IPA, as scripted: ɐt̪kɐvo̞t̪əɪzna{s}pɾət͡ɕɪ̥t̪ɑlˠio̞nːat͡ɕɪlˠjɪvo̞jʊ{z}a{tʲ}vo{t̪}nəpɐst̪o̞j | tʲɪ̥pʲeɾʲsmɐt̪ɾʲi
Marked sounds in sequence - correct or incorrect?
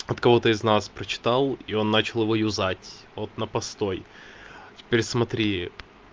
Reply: correct, correct, correct, correct

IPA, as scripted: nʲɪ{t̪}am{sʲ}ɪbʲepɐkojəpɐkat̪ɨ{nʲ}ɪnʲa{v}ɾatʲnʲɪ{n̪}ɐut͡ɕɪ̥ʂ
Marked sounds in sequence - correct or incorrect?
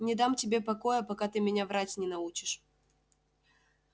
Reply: incorrect: d̪, incorrect: tʲ, incorrect: mʲ, correct, correct

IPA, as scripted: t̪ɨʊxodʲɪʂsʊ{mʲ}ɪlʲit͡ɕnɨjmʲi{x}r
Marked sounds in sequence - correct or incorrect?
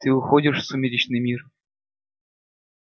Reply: correct, incorrect: none

